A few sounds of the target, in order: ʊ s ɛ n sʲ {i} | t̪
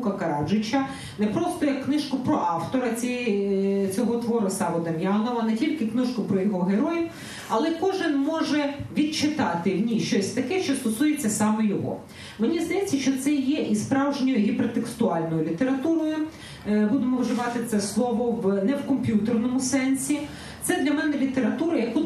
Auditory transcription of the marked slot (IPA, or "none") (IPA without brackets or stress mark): i